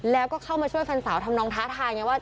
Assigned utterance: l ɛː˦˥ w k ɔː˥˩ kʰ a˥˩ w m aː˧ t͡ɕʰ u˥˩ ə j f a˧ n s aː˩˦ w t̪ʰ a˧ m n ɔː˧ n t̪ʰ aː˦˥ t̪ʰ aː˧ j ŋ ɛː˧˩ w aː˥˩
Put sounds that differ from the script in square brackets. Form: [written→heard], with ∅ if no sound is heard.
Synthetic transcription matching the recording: l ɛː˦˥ w k ɔː˥˩ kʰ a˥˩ w m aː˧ t͡ɕʰ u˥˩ ə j f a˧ n s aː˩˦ w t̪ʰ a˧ m n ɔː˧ [n→ŋ] t̪ʰ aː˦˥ t̪ʰ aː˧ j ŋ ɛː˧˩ w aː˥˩